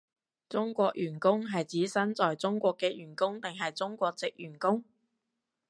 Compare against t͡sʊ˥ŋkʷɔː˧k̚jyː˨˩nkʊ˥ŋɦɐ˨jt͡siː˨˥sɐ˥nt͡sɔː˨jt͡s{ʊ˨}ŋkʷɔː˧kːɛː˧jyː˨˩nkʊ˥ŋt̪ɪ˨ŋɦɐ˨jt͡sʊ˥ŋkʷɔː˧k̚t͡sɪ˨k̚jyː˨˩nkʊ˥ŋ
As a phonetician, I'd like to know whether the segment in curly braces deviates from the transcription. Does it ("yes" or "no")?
yes